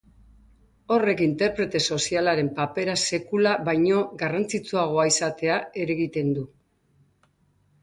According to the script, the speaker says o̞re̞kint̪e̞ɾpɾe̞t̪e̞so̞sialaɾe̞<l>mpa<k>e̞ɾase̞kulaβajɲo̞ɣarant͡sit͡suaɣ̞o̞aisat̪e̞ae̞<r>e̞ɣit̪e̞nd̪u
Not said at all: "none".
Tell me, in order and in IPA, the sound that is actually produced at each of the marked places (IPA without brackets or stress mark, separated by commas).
none, p, ɾ